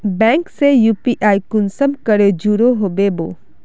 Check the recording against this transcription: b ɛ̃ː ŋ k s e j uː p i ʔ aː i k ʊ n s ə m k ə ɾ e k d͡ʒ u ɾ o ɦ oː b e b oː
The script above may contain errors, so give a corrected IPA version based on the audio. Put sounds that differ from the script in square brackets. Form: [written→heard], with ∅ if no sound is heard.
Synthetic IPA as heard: b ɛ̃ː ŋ k s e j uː p i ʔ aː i k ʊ n s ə m k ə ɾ e [k→∅] d͡ʒ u ɾ o ɦ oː b e b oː